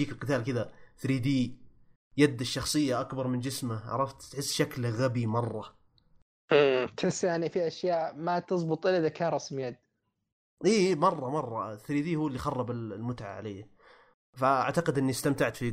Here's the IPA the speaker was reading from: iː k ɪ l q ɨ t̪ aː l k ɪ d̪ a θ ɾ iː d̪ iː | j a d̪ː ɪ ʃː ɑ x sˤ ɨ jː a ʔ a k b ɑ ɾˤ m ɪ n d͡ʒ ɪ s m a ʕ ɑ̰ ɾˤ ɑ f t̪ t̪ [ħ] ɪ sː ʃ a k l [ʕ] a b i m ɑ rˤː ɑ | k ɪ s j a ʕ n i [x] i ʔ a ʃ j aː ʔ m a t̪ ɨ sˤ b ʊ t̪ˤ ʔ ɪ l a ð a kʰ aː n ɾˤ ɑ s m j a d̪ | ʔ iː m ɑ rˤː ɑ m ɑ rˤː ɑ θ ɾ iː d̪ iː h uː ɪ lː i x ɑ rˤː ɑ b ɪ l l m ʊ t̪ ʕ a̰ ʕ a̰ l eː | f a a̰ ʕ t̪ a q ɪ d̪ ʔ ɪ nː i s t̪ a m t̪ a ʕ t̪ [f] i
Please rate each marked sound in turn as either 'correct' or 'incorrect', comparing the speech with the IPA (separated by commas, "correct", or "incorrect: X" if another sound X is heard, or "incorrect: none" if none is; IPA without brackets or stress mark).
correct, incorrect: ɣ, incorrect: f, correct